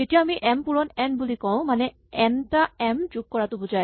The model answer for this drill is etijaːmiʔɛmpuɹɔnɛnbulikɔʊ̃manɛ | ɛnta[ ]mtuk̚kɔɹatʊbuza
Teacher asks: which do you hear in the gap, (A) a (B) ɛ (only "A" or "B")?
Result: B